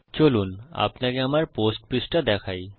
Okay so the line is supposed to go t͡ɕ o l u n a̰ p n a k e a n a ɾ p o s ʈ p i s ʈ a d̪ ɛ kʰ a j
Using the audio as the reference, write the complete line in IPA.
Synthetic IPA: t͡ɕ o l u n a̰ p n a k e a m a ɾ p o s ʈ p i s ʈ a d̪ ɛ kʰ a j